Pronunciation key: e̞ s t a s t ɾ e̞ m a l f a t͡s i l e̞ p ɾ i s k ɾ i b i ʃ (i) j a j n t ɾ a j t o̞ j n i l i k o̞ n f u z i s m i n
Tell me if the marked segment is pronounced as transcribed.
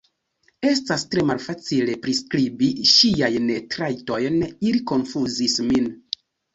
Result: yes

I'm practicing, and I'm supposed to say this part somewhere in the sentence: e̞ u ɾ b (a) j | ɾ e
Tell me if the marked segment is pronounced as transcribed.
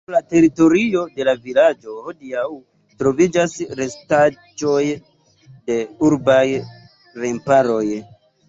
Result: yes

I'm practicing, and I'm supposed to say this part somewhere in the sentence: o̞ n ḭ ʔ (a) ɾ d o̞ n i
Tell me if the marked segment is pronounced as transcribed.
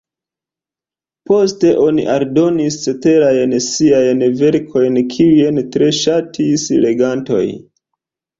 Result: yes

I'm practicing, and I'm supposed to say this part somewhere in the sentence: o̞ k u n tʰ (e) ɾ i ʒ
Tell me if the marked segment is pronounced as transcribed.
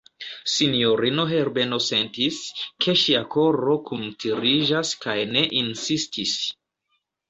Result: no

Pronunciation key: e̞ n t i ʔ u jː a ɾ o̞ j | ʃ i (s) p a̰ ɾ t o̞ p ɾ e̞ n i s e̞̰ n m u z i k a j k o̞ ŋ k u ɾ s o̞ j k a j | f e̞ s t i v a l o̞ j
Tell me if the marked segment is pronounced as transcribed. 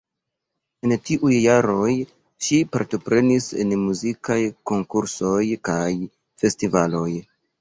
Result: no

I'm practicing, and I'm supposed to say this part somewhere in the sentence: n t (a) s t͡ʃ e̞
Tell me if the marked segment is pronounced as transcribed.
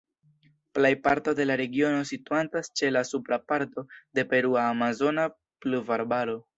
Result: yes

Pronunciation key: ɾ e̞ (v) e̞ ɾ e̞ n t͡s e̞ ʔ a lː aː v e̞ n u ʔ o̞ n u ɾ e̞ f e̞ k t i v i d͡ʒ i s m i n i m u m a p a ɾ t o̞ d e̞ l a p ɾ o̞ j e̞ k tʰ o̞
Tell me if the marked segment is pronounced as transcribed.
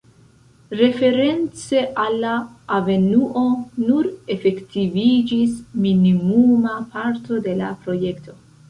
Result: no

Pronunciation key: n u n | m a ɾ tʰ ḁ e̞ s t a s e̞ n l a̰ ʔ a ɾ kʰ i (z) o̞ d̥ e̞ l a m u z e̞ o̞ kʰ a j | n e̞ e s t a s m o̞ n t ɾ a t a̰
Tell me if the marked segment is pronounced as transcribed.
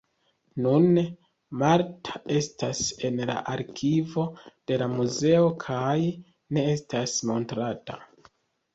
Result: no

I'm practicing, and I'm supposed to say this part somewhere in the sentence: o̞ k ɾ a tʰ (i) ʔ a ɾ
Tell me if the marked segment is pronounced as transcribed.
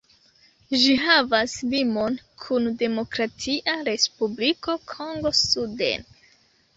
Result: yes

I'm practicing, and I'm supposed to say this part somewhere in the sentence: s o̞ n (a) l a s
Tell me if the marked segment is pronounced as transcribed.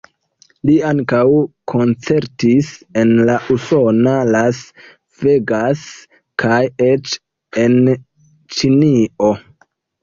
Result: yes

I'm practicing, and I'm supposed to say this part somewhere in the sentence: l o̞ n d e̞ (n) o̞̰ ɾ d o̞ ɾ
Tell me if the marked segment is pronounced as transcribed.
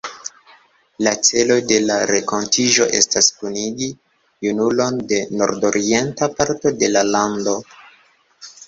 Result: yes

